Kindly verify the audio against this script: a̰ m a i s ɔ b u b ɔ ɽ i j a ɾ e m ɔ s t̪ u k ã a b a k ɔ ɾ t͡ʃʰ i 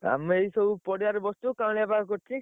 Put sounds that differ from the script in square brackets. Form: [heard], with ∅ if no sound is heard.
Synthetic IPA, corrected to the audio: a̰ m [e] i s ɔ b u [p] ɔ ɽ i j a ɾ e [b] ɔ s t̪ u k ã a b a k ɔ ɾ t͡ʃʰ i